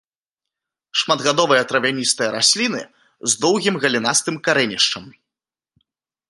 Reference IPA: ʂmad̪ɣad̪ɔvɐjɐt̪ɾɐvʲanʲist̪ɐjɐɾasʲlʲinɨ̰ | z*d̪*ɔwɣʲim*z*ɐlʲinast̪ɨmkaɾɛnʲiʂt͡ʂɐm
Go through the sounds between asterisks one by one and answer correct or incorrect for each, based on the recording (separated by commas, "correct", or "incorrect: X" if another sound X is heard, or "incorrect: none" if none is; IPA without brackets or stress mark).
correct, incorrect: ɣ